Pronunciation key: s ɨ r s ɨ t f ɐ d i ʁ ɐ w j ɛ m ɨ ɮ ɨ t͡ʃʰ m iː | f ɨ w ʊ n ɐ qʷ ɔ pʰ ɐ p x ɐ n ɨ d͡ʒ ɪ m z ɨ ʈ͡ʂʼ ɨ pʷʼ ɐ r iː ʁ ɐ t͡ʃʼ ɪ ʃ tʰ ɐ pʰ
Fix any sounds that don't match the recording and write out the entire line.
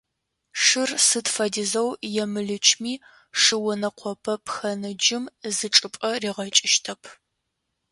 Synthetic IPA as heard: ʂ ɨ r s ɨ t f ɐ d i z ɐ w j ɛ m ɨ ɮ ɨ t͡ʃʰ m iː | ʂ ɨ w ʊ n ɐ qʷ ɔ pʰ ɐ p x ɐ n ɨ d͡ʒ ɪ m z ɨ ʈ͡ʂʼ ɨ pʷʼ ɐ r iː ʁ ɐ t͡ʃʼ ɪ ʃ tʰ ɐ pʰ